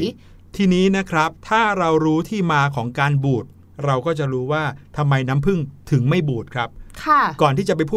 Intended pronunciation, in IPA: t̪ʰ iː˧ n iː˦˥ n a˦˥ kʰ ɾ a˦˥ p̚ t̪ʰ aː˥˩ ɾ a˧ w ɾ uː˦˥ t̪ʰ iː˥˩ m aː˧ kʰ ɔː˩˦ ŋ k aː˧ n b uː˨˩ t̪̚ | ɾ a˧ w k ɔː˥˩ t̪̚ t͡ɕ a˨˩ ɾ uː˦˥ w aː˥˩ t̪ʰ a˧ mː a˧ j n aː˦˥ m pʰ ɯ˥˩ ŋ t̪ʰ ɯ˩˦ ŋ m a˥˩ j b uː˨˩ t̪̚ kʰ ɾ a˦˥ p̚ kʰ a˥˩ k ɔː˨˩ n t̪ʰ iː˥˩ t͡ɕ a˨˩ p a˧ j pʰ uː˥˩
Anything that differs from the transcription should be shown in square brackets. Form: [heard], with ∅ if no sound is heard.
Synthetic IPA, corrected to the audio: t̪ʰ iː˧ n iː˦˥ n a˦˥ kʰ ɾ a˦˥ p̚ t̪ʰ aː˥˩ ɾ a˧ w ɾ uː˦˥ t̪ʰ iː˥˩ m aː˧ kʰ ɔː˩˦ ŋ k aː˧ n b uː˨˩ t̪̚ | ɾ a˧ w k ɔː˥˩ [∅] t͡ɕ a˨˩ ɾ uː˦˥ w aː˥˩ t̪ʰ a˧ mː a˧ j n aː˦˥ m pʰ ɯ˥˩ ŋ t̪ʰ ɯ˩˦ ŋ m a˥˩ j b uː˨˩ t̪̚ kʰ ɾ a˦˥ p̚ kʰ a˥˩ k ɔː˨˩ n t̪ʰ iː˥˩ t͡ɕ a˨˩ p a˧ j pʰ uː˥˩